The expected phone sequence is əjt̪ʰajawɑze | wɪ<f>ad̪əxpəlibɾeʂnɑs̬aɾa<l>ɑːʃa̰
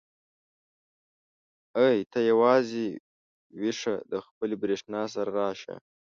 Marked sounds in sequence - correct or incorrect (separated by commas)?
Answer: incorrect, incorrect